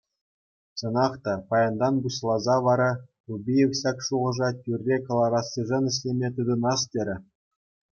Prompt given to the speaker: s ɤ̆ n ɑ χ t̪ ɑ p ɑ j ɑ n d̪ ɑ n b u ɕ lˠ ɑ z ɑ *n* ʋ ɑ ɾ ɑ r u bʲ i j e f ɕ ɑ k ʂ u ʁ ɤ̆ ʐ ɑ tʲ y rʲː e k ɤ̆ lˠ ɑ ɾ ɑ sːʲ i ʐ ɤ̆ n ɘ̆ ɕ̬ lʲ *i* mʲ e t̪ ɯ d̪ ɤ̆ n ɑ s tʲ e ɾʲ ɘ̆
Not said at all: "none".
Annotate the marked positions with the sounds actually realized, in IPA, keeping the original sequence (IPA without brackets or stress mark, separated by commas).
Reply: none, e